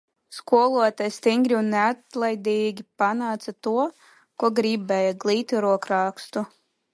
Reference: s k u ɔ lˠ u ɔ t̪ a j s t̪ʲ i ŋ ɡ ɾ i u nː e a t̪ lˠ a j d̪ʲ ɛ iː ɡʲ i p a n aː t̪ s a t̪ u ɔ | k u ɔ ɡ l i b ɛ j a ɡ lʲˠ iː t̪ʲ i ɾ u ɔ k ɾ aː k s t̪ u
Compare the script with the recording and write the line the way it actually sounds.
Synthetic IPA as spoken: s k u ɔ lˠ u ɔ t̪ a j s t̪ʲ i ŋ ɡ ɾ i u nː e a t̪ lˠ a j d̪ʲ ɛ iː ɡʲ i p a n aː t̪ s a t̪ u ɔ | k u ɔ ɡ ɾ i b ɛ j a ɡ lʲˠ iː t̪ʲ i ɾ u ɔ k ɾ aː k s t̪ u